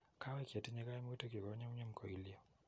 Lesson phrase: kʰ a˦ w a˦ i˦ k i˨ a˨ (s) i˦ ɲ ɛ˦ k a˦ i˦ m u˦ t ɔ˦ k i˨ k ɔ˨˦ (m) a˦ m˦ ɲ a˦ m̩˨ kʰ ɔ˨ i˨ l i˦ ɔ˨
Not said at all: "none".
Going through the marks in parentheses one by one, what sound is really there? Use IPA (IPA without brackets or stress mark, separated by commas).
t, ɲ